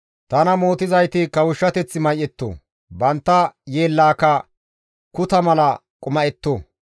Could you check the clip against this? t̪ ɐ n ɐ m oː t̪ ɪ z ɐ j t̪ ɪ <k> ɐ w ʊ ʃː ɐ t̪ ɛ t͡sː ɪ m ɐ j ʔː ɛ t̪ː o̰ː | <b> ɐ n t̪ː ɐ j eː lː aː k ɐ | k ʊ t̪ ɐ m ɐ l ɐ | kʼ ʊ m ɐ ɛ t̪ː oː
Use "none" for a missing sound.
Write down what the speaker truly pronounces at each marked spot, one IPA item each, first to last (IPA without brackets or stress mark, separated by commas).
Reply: k, b